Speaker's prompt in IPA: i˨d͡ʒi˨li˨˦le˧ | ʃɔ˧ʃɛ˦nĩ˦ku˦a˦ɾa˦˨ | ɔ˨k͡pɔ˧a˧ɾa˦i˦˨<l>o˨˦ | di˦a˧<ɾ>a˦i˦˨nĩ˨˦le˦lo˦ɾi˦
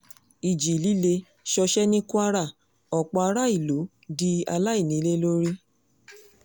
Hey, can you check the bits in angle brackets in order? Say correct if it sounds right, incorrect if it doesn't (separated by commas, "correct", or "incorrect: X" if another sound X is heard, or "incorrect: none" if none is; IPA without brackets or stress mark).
correct, incorrect: l